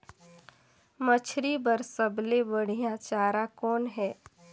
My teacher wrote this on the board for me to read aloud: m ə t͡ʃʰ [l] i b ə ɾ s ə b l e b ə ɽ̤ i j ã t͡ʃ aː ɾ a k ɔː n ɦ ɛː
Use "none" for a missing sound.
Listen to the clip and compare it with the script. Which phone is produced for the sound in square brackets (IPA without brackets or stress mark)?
ɾ